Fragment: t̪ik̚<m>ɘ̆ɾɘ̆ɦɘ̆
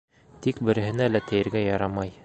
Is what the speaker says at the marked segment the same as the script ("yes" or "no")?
no